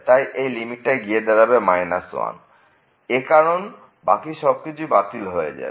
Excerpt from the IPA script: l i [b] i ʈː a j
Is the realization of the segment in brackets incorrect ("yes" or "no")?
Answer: yes